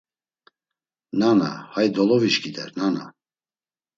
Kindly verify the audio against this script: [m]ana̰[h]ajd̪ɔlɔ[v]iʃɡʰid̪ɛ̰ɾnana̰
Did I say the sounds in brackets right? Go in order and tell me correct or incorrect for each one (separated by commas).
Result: incorrect, correct, correct